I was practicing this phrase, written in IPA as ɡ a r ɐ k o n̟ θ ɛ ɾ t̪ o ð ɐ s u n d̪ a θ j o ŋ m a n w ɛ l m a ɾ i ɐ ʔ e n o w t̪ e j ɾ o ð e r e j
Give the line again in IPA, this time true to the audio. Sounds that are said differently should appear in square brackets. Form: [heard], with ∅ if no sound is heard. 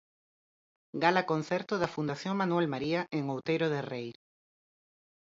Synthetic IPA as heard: ɡ a [l] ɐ k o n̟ θ ɛ ɾ t̪ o ð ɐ [f] u n d̪ a θ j o ŋ m a n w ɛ l m a ɾ i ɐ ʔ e [ŋ] o w t̪ e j ɾ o ð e r e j